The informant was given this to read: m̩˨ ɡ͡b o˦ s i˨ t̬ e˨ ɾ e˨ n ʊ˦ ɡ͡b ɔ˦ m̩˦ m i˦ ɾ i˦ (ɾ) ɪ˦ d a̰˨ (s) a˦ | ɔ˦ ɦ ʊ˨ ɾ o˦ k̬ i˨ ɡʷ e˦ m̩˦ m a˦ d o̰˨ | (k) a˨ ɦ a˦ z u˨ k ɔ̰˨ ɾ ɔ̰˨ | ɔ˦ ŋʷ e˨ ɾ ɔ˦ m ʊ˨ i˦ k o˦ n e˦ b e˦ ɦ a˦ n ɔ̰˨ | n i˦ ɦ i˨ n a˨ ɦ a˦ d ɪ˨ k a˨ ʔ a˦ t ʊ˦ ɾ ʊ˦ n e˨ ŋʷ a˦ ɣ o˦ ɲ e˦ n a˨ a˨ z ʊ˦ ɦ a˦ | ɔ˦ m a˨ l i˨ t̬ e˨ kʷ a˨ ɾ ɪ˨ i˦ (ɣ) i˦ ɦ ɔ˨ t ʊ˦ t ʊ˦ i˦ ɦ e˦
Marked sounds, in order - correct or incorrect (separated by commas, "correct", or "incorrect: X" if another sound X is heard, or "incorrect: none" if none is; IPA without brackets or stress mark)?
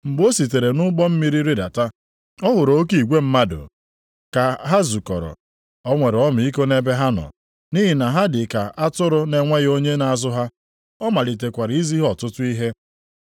correct, incorrect: t, correct, incorrect: z